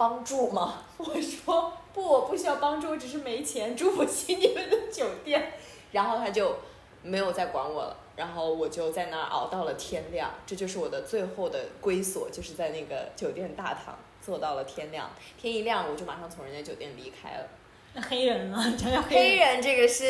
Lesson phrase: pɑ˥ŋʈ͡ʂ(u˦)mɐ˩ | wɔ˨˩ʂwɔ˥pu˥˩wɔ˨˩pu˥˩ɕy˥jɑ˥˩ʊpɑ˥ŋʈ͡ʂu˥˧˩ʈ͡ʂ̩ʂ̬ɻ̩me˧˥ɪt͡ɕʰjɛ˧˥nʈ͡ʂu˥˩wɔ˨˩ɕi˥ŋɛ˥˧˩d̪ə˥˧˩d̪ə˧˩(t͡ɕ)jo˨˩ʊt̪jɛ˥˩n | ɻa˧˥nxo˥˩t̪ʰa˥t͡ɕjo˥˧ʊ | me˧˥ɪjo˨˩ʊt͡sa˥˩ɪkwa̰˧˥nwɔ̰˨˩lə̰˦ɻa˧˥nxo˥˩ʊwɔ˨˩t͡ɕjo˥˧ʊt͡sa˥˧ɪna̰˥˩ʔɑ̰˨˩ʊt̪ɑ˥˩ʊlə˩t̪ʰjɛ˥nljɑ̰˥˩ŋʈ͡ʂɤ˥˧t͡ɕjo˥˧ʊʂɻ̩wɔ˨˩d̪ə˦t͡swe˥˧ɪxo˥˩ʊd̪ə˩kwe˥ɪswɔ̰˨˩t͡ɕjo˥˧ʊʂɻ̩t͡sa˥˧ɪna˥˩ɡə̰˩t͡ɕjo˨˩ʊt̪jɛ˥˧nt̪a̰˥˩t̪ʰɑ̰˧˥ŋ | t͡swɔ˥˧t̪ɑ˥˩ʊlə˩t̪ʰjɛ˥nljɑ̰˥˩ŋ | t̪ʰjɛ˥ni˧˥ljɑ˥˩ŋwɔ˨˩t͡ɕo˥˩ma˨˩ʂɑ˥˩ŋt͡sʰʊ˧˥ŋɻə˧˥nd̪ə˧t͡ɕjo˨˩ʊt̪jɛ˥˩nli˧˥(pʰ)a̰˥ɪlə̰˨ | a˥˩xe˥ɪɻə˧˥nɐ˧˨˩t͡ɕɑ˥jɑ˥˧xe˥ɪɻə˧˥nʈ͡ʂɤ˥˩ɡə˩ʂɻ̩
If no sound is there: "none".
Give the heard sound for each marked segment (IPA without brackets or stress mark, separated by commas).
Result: u˥˩, t͡ɕ, kʰ